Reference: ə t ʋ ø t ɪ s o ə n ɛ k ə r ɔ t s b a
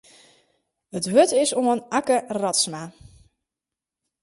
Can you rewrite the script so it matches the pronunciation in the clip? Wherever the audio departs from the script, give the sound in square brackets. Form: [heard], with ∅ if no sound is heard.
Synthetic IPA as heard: ə t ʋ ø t ɪ s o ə n [a] k ə r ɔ t s [m] a

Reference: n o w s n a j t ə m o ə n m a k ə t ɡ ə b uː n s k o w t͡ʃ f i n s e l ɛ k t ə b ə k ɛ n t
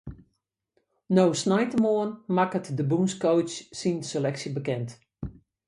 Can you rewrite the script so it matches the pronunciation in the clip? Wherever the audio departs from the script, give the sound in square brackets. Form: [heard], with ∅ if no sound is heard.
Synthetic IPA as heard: n o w s n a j t ə m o ə n m a k ə t [d] ə b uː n s k o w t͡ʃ [s] i n s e l ɛ k [s] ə b ə k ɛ n t

